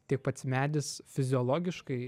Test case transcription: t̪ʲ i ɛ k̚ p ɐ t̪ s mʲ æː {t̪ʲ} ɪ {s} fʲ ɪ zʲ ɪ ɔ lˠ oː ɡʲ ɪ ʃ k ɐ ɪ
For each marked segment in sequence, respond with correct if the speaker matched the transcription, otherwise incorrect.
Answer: incorrect, correct

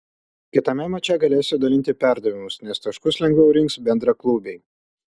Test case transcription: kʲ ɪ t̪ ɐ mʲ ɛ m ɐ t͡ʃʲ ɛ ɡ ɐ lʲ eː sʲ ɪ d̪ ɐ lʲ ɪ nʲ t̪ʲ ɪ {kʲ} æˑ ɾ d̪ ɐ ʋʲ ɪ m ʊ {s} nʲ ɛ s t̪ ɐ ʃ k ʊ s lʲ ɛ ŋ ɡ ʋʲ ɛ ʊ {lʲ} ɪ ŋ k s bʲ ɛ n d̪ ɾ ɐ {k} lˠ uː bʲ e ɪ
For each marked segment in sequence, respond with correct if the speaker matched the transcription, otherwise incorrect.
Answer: incorrect, correct, incorrect, correct

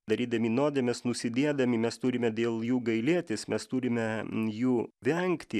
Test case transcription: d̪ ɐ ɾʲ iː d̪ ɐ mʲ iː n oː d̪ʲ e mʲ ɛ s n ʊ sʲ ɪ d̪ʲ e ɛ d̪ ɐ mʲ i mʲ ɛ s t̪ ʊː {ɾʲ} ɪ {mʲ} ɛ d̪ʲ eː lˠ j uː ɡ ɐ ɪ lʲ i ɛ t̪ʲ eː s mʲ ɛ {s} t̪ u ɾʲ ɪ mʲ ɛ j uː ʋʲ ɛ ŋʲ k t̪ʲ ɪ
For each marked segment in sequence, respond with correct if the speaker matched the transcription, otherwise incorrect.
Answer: correct, correct, correct

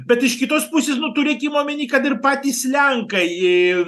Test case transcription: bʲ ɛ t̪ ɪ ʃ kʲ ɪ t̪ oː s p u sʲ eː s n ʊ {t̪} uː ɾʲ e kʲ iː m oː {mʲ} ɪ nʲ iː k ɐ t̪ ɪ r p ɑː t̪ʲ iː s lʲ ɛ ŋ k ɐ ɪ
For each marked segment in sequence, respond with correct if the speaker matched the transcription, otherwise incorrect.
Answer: correct, correct

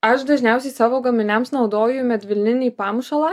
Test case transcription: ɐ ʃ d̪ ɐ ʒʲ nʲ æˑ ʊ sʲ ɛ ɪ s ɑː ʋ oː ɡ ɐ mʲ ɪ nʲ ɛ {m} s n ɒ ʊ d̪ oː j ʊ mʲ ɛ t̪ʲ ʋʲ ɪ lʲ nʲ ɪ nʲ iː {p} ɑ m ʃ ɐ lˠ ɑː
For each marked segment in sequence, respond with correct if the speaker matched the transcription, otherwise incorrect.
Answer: correct, correct

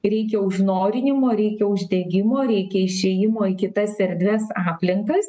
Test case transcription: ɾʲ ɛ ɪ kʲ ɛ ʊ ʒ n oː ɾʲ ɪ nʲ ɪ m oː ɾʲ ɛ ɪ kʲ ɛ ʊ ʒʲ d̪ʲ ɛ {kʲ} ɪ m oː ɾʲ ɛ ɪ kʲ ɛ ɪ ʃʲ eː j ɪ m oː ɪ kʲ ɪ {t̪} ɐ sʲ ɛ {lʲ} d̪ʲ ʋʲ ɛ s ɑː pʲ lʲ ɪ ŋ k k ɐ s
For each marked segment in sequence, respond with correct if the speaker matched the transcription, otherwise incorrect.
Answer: incorrect, correct, incorrect

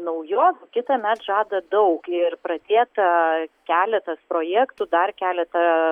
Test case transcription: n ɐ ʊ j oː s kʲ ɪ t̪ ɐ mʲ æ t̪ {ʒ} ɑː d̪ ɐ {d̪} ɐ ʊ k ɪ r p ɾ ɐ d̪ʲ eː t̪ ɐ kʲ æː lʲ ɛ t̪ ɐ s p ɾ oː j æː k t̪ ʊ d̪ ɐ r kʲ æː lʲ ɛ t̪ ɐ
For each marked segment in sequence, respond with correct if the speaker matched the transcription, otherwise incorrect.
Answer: correct, correct

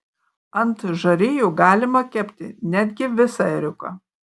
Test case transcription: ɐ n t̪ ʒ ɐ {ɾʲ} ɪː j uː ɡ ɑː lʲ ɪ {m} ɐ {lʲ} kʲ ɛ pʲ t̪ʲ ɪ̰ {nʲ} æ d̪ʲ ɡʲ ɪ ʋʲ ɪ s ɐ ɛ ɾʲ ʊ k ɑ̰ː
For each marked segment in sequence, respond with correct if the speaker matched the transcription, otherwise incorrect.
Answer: correct, correct, incorrect, correct

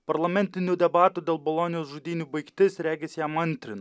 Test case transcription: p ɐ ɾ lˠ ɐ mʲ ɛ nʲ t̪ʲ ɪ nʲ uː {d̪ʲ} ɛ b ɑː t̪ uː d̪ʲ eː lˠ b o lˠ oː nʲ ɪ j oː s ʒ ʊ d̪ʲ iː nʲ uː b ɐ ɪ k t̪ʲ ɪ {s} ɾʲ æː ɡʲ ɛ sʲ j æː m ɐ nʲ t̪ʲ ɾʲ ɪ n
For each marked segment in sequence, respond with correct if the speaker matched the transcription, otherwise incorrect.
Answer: correct, correct

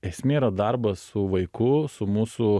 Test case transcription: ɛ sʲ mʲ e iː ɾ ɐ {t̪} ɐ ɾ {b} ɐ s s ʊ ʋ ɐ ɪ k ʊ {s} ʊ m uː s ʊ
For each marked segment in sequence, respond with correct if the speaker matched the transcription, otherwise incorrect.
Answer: incorrect, correct, correct

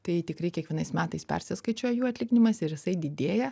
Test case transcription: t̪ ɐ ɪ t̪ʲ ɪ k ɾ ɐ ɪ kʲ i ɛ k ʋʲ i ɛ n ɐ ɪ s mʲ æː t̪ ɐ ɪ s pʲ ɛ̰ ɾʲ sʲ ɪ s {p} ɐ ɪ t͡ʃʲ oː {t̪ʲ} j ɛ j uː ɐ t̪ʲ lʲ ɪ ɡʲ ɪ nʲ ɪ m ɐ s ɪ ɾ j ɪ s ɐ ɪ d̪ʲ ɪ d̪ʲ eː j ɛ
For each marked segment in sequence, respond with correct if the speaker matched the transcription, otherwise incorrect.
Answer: incorrect, incorrect

